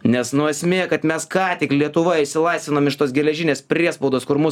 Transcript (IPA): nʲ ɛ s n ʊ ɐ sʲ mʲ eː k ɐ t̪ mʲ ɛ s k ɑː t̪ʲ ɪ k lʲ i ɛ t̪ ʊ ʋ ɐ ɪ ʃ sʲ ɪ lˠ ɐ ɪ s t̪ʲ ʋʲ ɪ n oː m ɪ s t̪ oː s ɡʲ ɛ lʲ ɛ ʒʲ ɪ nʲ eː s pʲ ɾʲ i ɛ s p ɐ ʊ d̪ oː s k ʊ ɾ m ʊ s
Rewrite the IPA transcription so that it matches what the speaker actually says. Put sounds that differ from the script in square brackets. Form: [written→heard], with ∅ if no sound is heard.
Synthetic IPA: nʲ ɛ s n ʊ ɐ sʲ mʲ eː k ɐ t̪ mʲ ɛ s k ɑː t̪ʲ ɪ k lʲ i ɛ t̪ ʊ ʋ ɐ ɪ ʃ sʲ ɪ lˠ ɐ ɪ s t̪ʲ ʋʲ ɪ n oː m ɪ [s→ʃ] t̪ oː s ɡʲ ɛ lʲ ɛ ʒʲ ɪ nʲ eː s pʲ ɾʲ i ɛ s p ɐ ʊ d̪ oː s k ʊ ɾ m ʊ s

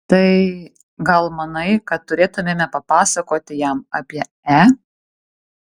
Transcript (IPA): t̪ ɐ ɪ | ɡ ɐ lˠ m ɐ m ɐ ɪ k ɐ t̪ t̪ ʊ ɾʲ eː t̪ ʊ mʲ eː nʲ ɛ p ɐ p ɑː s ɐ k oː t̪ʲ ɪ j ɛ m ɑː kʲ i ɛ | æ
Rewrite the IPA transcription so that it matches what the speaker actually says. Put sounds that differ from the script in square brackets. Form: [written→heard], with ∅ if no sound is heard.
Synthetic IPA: t̪ ɐ ɪ | ɡ ɐ lˠ m ɐ [m→n] ɐ ɪ k ɐ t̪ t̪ ʊ ɾʲ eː t̪ ʊ mʲ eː [nʲ→mʲ] ɛ p ɐ p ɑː s ɐ k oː t̪ʲ ɪ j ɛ m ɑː [kʲ→pʲ] i ɛ | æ

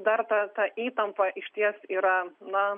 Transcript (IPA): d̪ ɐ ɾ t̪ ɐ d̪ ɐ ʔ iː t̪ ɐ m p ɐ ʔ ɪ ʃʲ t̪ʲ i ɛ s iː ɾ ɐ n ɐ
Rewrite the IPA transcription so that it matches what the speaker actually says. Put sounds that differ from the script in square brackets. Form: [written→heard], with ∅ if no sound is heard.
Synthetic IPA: d̪ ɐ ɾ t̪ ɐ [d̪→t̪] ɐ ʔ iː t̪ ɐ m p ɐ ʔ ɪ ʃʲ t̪ʲ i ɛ s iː ɾ ɐ n ɐ

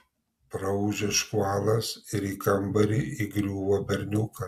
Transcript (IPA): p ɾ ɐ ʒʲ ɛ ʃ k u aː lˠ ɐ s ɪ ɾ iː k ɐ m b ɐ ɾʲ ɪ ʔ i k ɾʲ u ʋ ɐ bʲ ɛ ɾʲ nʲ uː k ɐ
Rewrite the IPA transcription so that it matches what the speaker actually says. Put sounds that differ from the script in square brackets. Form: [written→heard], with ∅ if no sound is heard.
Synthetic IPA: p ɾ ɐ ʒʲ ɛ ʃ k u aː lˠ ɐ s ɪ ɾ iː k ɐ m b ɐ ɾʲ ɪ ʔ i [k→ɡ] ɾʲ [u→uː] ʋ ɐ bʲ ɛ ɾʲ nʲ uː k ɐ

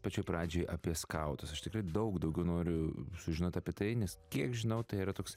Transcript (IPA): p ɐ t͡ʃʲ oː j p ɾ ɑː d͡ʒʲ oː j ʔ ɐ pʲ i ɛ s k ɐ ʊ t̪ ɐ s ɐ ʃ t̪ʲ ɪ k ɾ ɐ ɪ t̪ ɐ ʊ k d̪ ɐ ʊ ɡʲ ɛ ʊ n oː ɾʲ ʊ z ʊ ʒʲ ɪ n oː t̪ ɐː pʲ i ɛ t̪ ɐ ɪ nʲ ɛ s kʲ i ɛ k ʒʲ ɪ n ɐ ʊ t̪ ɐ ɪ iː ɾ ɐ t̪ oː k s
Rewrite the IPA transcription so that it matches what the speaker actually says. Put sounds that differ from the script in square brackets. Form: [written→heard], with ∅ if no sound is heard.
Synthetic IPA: p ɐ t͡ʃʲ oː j p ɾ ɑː d͡ʒʲ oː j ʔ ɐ pʲ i ɛ s k ɐ ʊ t̪ ɐ s ɐ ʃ t̪ʲ ɪ k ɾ ɐ ɪ [t̪→d̪] ɐ ʊ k d̪ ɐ ʊ ɡʲ ɛ ʊ n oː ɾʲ ʊ [z→s] ʊ ʒʲ ɪ n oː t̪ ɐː pʲ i ɛ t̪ ɐ ɪ nʲ ɛ s kʲ i ɛ k ʒʲ ɪ n ɐ ʊ t̪ ɐ ɪ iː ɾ ɐ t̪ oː k s

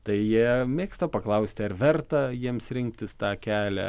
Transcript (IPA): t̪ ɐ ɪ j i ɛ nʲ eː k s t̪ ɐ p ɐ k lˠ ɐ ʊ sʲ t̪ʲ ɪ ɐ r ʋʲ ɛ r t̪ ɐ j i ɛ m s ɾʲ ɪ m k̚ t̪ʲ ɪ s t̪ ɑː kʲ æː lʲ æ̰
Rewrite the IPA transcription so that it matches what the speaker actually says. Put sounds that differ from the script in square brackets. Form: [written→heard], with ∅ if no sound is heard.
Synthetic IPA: t̪ ɐ ɪ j i ɛ [nʲ→mʲ] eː k s t̪ ɐ p ɐ k lˠ ɐ ʊ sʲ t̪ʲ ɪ ɐ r ʋʲ ɛ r t̪ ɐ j i ɛ m s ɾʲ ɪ [m→ŋ] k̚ t̪ʲ ɪ s t̪ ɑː kʲ æː lʲ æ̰

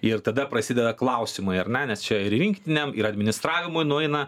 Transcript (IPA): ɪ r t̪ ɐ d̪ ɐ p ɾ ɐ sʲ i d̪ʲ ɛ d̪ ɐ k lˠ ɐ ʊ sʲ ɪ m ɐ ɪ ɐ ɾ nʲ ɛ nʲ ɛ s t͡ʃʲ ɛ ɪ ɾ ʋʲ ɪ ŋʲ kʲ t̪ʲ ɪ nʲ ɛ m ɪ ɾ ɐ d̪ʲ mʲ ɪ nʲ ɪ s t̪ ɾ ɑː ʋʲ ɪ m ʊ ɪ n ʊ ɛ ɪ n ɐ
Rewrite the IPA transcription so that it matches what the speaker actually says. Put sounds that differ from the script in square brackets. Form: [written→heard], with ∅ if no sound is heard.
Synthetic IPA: ɪ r t̪ ɐ d̪ ɐ p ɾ ɐ sʲ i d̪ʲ ɛ d̪ ɐ k lˠ ɐ ʊ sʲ ɪ m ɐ ɪ ɐ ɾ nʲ ɛ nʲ ɛ s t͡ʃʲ ɛ ɪ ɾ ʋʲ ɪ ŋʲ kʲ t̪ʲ ɪ nʲ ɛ m ɪ ɾ ɐ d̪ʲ mʲ ɪ nʲ ɪ s t̪ ɾ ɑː ʋʲ ɪ m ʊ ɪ n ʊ ɛ ɪ n ɐ

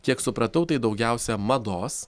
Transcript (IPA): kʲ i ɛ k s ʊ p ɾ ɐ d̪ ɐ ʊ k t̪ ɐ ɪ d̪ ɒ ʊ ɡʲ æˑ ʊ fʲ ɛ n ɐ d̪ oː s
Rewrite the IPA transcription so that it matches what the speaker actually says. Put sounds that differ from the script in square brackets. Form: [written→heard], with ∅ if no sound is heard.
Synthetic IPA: kʲ i ɛ k s ʊ p ɾ ɐ [d̪→t̪] ɐ ʊ [k→∅] t̪ ɐ ɪ d̪ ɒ ʊ ɡʲ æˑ ʊ [fʲ→sʲ] ɛ [n→m] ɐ d̪ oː s

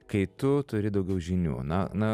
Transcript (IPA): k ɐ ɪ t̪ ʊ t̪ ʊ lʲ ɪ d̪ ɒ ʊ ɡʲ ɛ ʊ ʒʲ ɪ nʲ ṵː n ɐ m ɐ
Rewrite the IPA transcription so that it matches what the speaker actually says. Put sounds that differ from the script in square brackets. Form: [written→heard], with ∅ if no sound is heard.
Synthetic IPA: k ɐ ɪ t̪ ʊ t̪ ʊ [lʲ→ɾʲ] ɪ d̪ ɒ ʊ ɡʲ ɛ ʊ ʒʲ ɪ nʲ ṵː n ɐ [m→n] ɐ

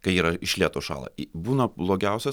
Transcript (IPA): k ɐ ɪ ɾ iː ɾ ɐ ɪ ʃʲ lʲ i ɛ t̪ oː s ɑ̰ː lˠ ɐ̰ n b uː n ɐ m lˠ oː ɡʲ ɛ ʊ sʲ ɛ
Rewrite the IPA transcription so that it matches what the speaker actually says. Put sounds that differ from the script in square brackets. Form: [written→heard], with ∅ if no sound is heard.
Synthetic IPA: k ɐ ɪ [ɾ→∅] iː ɾ ɐ ɪ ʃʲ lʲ i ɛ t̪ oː [s→ʃ] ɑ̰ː lˠ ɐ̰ [n→∅] b uː n ɐ [m→b] lˠ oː ɡʲ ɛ ʊ sʲ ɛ

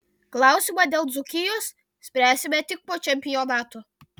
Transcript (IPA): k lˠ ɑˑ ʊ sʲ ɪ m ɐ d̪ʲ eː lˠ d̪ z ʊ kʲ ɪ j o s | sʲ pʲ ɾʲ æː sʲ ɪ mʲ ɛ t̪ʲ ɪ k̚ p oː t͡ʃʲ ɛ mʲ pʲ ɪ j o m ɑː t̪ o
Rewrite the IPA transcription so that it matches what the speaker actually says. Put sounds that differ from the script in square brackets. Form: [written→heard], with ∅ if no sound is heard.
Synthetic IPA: k lˠ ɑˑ ʊ sʲ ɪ m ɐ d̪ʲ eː lˠ d̪ z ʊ kʲ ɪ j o s | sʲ pʲ ɾʲ æː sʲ ɪ mʲ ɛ t̪ʲ ɪ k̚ p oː t͡ʃʲ ɛ mʲ pʲ ɪ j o [m→n] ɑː t̪ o

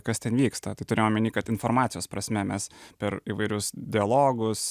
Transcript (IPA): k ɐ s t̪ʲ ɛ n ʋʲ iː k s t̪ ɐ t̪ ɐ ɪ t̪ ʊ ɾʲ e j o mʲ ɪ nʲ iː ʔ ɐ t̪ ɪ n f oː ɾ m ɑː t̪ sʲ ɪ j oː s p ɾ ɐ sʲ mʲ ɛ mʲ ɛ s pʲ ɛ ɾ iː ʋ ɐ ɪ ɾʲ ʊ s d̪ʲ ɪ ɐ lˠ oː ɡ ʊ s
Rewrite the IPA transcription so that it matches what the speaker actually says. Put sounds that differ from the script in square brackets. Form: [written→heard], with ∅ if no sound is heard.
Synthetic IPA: k ɐ s t̪ʲ ɛ n ʋʲ iː k s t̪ ɐ t̪ ɐ ɪ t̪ ʊ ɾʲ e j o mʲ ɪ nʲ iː [ʔ→k] ɐ t̪ ɪ n f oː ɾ m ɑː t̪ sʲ ɪ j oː s p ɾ ɐ sʲ mʲ ɛ mʲ ɛ s pʲ ɛ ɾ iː ʋ ɐ ɪ ɾʲ ʊ s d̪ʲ ɪ ɐ lˠ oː ɡ ʊ s

